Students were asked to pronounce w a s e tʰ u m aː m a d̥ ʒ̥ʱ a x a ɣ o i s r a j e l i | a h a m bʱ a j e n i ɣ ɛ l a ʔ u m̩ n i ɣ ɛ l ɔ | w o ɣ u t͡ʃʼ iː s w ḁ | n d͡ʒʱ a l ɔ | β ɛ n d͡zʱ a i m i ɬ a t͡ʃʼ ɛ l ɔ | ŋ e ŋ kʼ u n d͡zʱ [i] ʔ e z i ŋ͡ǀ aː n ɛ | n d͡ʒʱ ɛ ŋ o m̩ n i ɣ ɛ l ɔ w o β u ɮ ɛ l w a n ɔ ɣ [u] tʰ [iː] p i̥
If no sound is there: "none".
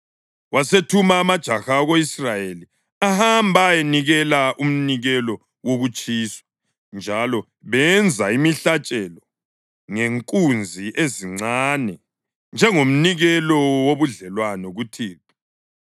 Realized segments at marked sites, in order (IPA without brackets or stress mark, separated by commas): i, u, iː